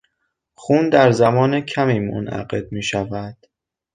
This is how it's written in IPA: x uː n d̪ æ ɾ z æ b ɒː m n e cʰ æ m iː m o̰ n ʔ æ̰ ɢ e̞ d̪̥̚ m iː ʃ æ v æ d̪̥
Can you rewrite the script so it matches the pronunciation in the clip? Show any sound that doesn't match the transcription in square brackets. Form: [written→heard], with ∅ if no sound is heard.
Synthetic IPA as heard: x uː n d̪ æ ɾ z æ [b→m] ɒː [m→∅] n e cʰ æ m iː m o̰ n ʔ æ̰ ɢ e̞ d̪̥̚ m iː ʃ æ v æ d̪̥